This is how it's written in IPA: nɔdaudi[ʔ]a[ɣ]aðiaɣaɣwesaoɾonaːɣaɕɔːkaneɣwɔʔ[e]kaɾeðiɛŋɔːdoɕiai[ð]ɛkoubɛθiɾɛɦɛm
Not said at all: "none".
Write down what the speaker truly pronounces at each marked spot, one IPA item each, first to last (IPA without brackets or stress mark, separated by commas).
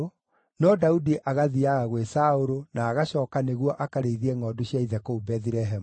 ʔ, ɣ, a, ð